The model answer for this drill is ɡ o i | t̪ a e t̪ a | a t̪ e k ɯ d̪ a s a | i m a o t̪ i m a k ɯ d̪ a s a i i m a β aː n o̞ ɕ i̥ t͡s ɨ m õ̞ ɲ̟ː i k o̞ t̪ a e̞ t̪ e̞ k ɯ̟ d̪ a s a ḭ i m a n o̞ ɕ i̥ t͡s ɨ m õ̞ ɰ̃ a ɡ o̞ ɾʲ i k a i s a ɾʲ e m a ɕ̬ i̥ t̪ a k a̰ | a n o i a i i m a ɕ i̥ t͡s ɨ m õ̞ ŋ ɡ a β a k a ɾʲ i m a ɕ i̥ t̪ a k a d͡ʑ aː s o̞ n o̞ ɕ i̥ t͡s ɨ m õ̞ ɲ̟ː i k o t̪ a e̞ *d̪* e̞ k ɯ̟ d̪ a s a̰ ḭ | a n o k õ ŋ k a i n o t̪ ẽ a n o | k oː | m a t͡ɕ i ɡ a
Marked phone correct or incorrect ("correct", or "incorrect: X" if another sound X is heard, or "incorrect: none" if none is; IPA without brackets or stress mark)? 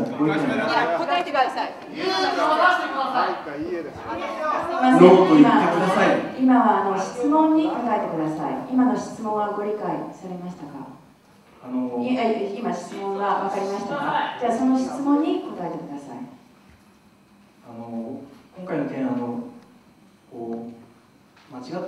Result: incorrect: t̪